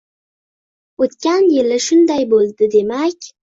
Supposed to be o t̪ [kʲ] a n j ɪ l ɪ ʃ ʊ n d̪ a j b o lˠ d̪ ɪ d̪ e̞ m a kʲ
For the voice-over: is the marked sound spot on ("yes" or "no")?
yes